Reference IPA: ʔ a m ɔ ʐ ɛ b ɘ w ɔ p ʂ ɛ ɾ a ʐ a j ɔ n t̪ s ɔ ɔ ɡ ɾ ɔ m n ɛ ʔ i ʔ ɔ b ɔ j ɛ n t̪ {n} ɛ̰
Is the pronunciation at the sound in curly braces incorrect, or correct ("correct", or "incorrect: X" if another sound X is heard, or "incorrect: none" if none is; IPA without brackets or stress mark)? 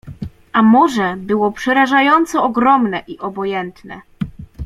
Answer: correct